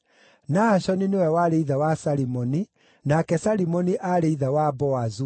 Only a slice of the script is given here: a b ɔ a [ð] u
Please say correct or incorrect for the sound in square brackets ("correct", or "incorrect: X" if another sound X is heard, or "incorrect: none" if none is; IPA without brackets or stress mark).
incorrect: z